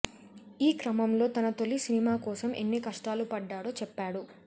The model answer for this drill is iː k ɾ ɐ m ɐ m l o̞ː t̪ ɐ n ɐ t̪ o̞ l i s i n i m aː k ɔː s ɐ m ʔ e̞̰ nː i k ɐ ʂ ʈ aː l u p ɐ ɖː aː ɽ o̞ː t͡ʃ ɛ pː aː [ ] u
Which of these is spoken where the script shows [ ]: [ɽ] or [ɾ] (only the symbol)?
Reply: ɽ